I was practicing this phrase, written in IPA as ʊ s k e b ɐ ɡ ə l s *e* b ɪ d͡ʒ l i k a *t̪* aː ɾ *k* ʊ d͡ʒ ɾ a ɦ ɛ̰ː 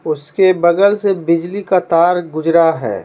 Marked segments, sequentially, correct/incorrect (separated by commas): correct, correct, incorrect